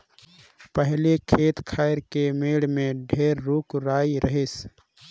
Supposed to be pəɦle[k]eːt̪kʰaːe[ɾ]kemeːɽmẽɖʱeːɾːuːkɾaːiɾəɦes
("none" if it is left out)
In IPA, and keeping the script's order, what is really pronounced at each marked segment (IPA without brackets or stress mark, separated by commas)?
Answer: kʰ, ɾ